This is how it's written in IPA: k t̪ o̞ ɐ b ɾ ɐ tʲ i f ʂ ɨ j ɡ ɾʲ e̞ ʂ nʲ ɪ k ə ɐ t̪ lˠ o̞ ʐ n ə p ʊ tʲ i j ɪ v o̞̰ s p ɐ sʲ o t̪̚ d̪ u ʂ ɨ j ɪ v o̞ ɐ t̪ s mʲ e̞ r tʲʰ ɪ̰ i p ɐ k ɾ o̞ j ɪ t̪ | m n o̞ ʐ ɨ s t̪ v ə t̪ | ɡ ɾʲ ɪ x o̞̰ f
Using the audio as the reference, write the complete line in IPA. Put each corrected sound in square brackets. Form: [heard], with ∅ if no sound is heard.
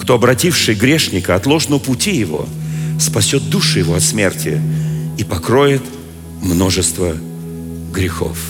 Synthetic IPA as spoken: k t̪ o̞ ɐ b ɾ ɐ tʲ i f ʂ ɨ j ɡ ɾʲ e̞ ʂ nʲ ɪ k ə ɐ t̪ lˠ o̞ ʐ n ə p ʊ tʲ i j ɪ v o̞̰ s p ɐ sʲ o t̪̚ d̪ u ʂ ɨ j ɪ v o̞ ɐ t̪ s mʲ e̞ r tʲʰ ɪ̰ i p ɐ k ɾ o̞ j ɪ t̪ | m n o̞ ʐ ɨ s t̪ v ə [∅] | ɡ ɾʲ ɪ x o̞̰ f